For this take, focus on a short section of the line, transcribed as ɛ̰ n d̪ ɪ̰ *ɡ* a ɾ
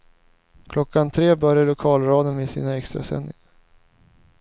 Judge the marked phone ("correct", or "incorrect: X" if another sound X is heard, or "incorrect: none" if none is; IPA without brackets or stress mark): incorrect: ŋ